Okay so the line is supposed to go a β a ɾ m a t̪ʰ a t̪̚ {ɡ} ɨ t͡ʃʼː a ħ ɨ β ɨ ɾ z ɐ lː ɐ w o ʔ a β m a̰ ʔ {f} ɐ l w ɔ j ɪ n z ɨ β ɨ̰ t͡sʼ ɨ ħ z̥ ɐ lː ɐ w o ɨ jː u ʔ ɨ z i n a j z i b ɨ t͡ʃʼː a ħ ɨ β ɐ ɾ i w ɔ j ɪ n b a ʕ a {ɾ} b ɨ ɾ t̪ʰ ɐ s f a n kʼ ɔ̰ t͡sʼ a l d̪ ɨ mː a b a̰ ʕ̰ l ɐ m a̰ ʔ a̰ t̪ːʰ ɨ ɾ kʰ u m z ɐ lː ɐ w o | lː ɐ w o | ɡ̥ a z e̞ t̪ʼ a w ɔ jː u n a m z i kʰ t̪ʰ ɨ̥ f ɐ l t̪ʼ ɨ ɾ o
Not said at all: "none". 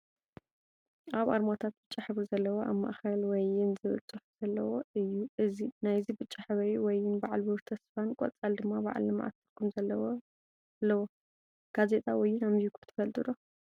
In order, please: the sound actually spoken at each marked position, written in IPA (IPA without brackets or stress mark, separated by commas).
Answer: b, x, l